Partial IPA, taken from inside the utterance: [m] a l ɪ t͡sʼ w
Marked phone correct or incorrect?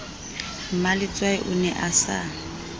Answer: correct